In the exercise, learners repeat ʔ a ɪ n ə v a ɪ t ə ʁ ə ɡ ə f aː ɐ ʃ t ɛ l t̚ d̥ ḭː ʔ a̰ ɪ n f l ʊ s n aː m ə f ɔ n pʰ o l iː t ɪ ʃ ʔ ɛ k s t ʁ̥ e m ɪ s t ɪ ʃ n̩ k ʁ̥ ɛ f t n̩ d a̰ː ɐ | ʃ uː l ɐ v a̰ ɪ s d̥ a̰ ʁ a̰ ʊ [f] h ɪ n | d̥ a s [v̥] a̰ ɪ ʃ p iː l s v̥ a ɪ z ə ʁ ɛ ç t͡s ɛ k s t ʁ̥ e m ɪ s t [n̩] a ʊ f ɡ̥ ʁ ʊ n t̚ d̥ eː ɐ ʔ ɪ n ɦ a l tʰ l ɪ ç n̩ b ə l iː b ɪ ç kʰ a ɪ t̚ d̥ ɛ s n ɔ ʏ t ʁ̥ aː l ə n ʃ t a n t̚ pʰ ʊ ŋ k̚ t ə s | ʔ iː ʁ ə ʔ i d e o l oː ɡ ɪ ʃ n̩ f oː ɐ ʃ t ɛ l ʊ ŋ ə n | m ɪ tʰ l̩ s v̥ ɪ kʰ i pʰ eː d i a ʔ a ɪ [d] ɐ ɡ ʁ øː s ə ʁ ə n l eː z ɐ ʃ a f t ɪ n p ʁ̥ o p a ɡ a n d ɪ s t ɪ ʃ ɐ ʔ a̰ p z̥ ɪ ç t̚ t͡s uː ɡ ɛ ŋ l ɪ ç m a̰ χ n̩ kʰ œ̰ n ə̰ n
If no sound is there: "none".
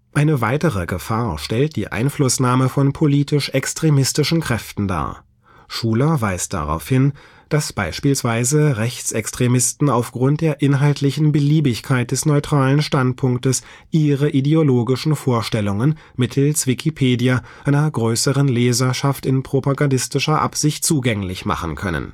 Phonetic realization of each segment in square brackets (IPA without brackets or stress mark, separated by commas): f, b̥, n̩, n